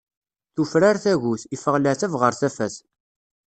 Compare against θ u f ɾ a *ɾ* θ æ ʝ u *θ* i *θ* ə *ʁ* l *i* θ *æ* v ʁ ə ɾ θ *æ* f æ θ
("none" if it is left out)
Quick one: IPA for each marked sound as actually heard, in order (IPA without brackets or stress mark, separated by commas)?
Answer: ɾ, θ, f, ʁ, æ, æ, æ